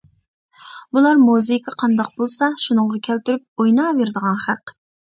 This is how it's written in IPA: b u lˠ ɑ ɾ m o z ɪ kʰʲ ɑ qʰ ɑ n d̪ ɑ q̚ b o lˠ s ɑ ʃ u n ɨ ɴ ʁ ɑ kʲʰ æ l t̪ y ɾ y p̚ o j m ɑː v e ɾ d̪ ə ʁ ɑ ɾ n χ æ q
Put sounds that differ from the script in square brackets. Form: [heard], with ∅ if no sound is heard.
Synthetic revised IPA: b u lˠ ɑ ɾ m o z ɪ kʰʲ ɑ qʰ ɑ n d̪ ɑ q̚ b o lˠ s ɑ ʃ u n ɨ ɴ ʁ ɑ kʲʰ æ l t̪ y ɾ y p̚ o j [n] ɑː v e ɾ d̪ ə ʁ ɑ [∅] n χ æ q